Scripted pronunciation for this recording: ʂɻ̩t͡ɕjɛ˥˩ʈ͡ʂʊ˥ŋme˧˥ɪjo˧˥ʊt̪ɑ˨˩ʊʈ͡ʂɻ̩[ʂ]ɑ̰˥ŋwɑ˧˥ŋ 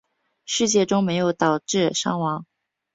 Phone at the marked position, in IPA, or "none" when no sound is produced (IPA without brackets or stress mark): ʂ